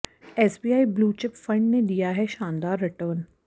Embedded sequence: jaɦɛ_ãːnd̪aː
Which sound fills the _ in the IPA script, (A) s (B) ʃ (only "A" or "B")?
B